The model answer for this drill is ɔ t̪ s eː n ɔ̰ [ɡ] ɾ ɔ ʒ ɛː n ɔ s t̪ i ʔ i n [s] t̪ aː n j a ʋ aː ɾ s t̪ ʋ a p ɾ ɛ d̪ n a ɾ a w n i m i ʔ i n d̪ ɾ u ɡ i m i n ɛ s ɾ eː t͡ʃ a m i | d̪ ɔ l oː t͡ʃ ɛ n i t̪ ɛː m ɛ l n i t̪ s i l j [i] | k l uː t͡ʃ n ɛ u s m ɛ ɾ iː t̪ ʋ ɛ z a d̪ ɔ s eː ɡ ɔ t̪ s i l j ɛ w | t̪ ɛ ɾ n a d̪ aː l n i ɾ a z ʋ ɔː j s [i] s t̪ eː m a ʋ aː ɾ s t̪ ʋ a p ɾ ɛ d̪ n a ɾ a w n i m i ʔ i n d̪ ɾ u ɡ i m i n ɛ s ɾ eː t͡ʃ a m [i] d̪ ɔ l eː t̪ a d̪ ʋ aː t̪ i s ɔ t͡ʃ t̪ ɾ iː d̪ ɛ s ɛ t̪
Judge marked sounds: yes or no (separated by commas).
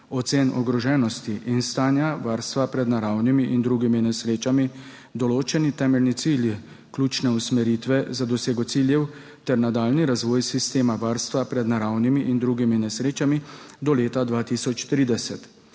yes, yes, yes, yes, yes